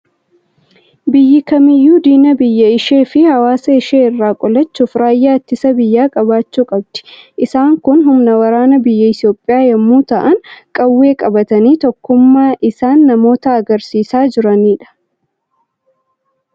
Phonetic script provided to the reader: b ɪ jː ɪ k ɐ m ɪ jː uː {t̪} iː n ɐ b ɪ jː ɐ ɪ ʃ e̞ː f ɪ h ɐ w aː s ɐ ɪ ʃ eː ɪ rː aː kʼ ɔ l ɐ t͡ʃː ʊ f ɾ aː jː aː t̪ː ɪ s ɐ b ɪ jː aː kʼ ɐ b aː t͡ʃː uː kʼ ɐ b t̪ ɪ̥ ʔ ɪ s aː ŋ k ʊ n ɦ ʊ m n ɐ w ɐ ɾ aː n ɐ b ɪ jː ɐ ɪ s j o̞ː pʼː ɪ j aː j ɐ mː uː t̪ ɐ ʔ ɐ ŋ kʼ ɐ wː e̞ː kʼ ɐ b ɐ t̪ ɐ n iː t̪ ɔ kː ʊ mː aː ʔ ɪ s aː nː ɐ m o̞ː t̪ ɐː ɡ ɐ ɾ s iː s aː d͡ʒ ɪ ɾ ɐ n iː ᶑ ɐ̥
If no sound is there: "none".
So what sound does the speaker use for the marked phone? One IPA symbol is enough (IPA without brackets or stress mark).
d̪